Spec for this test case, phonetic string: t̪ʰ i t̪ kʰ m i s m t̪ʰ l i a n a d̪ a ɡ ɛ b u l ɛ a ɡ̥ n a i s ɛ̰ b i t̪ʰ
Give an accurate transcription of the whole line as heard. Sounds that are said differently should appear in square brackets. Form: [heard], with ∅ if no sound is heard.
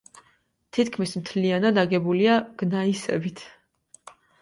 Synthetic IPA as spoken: t̪ʰ i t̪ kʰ m i s m t̪ʰ l i a n a d̪ a ɡ ɛ b u l [i] a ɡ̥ n a i s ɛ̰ b i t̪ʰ